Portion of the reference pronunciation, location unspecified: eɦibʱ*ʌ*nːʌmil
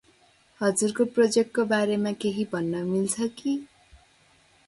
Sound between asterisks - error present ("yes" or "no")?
no